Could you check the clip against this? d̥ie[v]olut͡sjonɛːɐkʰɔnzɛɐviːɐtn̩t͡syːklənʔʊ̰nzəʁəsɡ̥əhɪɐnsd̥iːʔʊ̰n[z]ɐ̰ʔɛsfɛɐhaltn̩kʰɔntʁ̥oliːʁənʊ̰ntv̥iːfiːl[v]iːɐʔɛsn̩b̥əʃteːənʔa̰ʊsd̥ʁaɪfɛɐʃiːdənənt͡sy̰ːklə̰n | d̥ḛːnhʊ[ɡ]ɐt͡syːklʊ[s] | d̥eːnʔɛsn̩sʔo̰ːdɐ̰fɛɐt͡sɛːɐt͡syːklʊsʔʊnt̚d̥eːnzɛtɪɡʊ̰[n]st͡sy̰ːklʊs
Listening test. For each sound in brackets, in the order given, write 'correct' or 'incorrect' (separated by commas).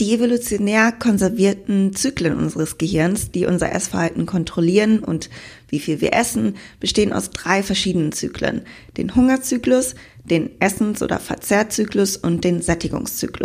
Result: correct, correct, correct, incorrect, correct, incorrect